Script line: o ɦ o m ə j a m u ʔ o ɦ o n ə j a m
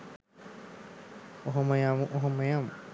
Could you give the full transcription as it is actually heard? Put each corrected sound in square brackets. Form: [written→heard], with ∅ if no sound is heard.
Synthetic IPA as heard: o ɦ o m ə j a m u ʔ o ɦ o [n→m] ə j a m